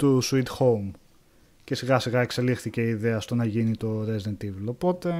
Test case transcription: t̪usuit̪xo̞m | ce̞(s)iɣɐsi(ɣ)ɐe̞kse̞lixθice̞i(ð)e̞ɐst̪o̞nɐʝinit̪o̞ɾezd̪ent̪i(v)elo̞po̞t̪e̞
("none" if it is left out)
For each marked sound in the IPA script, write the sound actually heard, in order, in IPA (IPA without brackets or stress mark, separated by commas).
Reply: s, ɣ, ð, v